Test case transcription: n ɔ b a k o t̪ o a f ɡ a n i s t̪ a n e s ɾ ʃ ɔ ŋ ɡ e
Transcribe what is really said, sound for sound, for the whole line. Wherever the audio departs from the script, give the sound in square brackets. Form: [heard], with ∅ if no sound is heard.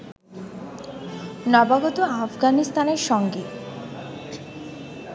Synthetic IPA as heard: n ɔ b a [ɡ] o t̪ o a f ɡ a n i s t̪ a n e [∅] ɾ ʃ ɔ ŋ ɡ e